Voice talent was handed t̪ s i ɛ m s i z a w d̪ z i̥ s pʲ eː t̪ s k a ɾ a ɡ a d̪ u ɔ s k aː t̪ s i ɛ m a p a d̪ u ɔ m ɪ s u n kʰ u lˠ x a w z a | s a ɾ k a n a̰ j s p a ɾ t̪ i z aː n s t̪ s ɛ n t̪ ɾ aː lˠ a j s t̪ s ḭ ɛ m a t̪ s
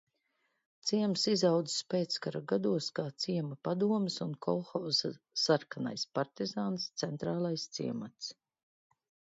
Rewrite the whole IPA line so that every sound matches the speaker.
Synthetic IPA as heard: t̪ s i ɛ m s i z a w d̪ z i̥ s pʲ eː t̪ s k a ɾ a ɡ a d̪ u ɔ s k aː t̪ s i ɛ m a p a d̪ u ɔ m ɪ s u n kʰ ɔ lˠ x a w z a | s a ɾ k a n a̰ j s p a ɾ t̪ i z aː n s t̪ s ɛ n t̪ ɾ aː lˠ a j s t̪ s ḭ ɛ m a t̪ s